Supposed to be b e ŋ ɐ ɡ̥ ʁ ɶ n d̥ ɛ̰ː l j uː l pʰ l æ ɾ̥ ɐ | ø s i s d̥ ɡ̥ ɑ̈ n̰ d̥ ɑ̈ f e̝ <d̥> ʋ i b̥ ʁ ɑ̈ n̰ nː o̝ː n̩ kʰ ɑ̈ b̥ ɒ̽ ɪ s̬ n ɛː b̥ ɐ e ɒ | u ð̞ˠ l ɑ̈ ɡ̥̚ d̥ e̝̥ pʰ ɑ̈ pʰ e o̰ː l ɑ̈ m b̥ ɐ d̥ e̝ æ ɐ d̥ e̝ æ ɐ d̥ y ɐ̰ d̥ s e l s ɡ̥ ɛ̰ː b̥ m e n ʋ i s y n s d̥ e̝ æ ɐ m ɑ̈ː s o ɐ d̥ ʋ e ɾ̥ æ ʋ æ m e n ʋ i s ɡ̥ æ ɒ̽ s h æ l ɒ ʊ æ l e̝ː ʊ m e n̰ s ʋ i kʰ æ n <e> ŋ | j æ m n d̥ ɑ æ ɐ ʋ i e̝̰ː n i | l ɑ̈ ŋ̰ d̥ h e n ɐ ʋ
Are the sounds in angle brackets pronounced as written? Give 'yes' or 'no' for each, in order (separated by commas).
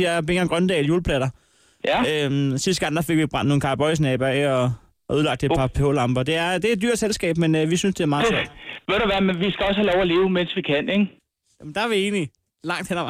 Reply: no, yes